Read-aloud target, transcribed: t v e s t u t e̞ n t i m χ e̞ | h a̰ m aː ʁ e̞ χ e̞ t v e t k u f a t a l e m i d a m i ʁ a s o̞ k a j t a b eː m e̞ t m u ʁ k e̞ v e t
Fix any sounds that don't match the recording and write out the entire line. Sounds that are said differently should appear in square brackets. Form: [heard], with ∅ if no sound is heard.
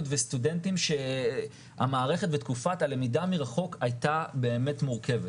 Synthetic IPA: t v e s t u [d] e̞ n t i m [ʃ] e̞ | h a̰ m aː ʁ e̞ χ e̞ t v e t k u f a t a l e m i d a m i ʁ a [χ] o̞ k a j t a b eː m e̞ t m u ʁ k e̞ v e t